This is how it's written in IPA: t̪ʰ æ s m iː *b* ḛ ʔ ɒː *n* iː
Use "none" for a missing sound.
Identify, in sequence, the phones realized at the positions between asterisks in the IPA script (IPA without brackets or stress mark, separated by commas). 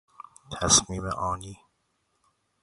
m, n